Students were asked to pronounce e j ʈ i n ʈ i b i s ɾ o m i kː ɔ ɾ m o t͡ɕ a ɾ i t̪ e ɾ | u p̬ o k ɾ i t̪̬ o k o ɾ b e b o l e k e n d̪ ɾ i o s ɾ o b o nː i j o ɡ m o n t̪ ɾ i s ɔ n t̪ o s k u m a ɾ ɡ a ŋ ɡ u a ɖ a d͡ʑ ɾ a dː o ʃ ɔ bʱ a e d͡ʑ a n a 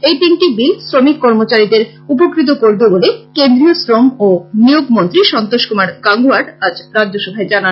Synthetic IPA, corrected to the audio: e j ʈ i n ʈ i b i s ɾ o m i kː ɔ ɾ m o t͡ɕ a ɾ i d̪ e ɾ | u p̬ o k ɾ i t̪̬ o k o ɾ b e b o l e k e n d̪ ɾ i o s ɾ o m o n i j o ɡ m o n t̪ ɾ i ʃ ɔ n t̪ o ʃ k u m a ɾ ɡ a ŋ ɡ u a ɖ a d͡ʑ ɾ a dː o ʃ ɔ bʱ a e d͡ʑ a n a